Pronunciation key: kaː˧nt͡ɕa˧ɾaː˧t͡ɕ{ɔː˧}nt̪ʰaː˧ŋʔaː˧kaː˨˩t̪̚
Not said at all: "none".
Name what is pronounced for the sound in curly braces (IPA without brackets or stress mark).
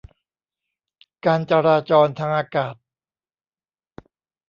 ɔː˧